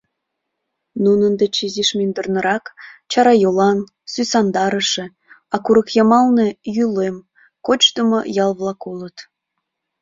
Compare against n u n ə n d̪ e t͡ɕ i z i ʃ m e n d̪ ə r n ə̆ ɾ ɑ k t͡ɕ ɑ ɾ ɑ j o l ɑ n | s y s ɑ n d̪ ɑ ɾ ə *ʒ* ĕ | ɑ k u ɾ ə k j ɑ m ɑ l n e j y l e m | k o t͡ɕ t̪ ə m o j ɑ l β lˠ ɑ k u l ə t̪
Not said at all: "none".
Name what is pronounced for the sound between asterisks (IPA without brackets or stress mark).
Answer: ʃ